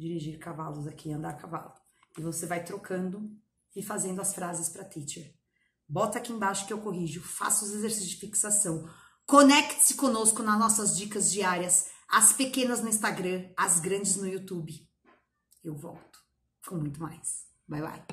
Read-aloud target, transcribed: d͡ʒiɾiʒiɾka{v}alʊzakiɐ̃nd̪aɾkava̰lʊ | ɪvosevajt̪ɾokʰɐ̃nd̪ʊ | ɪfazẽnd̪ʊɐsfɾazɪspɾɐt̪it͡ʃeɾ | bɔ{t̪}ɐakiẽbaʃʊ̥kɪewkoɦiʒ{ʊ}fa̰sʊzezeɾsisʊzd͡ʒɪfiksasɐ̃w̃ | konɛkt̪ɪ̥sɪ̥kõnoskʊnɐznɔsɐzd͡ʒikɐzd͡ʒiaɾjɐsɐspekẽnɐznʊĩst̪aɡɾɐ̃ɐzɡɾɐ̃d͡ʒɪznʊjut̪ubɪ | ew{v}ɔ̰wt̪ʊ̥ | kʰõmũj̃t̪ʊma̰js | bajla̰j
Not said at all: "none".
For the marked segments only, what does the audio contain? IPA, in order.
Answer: v, t̪, ʊ, v

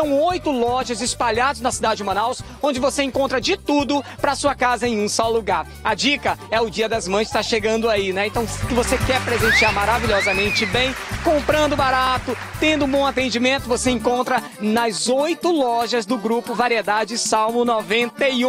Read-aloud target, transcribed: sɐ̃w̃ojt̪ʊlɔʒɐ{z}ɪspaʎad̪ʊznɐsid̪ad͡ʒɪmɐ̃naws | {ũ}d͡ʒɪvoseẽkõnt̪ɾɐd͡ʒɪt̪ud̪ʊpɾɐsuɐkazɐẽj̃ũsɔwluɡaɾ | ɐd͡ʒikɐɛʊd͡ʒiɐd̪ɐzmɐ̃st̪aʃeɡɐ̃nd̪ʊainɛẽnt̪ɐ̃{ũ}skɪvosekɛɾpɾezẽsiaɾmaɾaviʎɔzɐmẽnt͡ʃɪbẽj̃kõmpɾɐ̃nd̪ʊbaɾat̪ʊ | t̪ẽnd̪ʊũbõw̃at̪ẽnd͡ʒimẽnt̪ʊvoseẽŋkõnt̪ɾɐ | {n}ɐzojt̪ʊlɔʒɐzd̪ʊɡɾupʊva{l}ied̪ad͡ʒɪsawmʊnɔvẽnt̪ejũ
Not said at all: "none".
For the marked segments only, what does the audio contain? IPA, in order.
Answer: z, õ, w̃, n, ɾ

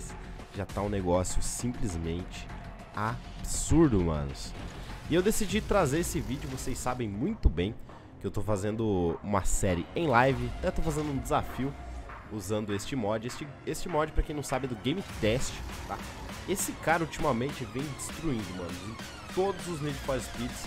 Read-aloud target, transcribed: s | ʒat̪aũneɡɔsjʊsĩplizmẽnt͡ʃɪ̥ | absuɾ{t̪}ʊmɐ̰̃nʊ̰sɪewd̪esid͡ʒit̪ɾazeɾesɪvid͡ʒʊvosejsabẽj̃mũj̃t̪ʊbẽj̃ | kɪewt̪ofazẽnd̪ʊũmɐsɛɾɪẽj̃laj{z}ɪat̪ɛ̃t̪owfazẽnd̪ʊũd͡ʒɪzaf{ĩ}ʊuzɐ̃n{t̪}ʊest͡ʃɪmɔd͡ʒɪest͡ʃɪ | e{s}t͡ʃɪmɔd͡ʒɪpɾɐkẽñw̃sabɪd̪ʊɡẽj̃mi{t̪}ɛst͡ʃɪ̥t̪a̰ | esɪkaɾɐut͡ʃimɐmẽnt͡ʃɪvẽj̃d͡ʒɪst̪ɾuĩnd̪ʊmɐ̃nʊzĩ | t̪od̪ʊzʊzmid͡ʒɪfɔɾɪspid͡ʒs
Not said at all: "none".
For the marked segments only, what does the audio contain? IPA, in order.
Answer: d̪, v, i, d̪, s, t̪

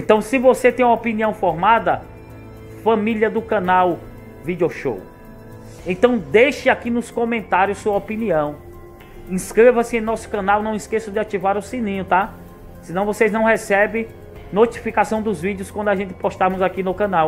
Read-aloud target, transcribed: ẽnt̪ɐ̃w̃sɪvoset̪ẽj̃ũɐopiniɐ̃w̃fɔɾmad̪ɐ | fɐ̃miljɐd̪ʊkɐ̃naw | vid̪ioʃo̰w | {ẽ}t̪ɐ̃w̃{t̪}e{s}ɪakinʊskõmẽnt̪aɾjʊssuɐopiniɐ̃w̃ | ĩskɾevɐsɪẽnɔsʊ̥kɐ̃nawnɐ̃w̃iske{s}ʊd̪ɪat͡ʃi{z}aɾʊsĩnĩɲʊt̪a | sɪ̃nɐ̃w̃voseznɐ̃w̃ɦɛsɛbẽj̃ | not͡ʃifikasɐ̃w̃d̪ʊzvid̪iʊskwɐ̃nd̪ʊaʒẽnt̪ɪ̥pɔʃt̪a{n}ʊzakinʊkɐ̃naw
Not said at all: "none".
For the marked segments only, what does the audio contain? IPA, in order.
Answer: ẽ, d̪, ʃ, s, v, m

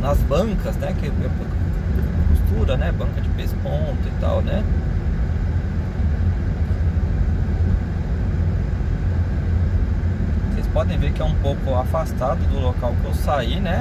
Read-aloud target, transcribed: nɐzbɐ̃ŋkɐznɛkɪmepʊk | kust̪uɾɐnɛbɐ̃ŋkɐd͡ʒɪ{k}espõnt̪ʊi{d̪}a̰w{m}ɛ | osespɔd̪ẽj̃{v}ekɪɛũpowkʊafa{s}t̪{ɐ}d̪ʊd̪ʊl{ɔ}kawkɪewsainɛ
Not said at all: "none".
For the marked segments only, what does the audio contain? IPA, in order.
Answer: p, t̪, n, v, s, a, o

